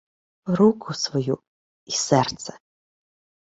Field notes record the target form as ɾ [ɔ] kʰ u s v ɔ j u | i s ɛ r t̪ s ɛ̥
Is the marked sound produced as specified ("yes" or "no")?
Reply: no